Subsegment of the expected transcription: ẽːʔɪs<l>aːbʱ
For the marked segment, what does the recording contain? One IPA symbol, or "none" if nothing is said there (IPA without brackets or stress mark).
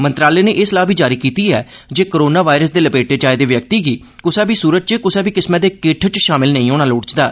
l